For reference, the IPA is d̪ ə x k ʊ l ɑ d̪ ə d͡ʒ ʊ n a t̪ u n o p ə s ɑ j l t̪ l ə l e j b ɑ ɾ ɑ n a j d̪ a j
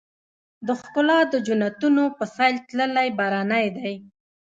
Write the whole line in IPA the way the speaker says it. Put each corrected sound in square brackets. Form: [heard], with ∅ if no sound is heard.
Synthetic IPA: d̪ ə x k ʊ l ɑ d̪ ə d͡ʒ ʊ n a t̪ u n o p ə s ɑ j l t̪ l ə l [a] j b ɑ ɾ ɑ n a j d̪ a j